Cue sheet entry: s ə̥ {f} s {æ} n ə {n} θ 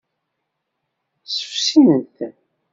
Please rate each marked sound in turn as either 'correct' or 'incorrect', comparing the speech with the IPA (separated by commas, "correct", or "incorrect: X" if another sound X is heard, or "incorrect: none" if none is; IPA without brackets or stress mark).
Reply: correct, incorrect: i, correct